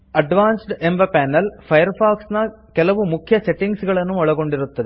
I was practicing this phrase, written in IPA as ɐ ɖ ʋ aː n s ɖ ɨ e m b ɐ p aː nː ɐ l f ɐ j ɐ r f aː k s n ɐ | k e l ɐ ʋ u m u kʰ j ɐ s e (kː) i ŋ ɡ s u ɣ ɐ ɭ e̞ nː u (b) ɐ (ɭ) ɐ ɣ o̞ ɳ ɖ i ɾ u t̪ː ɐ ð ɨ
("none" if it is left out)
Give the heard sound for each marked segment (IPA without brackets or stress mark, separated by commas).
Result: ʈː, m, ɭ